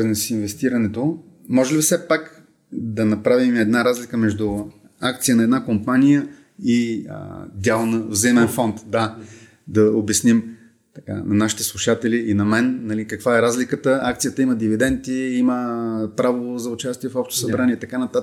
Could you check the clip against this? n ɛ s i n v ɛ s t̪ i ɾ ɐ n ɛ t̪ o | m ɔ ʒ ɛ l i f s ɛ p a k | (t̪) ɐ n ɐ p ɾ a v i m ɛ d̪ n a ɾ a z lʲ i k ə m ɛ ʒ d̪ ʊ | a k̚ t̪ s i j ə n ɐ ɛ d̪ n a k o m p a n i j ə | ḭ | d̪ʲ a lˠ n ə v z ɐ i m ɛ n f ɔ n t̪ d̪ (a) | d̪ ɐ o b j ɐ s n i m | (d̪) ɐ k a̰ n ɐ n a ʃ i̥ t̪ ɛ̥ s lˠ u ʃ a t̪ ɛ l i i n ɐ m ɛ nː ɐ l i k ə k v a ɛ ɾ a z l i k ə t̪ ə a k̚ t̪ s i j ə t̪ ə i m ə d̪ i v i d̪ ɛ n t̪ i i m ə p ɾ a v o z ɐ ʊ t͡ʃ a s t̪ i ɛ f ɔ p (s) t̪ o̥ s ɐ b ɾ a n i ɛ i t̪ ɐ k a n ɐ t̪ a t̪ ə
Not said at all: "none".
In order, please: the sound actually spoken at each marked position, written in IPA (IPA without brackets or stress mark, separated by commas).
d̪, a, t̪, ʃ